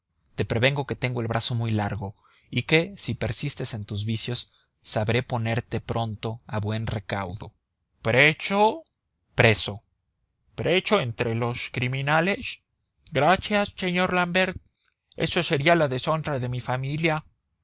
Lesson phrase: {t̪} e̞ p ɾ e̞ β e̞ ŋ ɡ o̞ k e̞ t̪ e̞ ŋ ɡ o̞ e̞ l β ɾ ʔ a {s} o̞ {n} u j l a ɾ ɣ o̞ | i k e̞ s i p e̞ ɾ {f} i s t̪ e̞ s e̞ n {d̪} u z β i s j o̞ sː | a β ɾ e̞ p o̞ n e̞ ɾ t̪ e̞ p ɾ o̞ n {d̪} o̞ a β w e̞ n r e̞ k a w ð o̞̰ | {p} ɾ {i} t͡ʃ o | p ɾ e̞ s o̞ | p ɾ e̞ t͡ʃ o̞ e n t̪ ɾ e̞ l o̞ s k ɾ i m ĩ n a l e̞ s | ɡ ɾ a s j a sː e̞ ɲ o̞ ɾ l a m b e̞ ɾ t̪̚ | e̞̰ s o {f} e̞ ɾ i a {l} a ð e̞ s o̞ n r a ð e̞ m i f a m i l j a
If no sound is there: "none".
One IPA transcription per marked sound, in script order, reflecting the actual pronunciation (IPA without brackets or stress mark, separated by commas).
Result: t̪, s, m, s, t̪, t̪, p, e, s, l